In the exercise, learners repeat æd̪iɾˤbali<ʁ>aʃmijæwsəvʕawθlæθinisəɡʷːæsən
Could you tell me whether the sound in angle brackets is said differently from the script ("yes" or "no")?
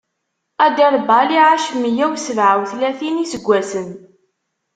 yes